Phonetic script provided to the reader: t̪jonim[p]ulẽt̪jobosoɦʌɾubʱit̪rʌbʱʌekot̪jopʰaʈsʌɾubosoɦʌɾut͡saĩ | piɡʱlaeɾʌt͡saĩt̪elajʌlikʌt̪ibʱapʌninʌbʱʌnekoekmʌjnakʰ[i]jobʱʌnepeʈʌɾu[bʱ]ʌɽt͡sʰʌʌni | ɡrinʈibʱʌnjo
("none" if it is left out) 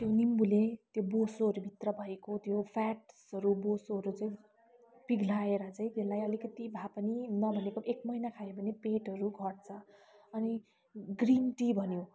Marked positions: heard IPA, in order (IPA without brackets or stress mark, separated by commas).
b, a, ɡʱ